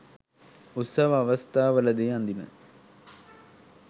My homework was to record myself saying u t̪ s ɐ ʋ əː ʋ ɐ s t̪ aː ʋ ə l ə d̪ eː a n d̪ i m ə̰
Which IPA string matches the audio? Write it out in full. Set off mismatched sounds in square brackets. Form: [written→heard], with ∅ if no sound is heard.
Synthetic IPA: u t̪ s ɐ ʋ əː ʋ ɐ s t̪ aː ʋ ə l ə d̪ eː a n d̪ i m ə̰